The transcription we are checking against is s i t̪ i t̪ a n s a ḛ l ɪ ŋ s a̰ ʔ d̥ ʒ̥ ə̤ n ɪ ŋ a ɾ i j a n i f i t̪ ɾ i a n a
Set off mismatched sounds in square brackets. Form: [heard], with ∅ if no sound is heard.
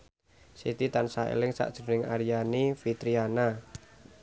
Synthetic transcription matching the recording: s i t̪ i t̪ a n s a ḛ l ɪ ŋ s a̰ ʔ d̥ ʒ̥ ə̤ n ɪ ŋ a ɾ i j a n i f i t̪ ɾ i a n a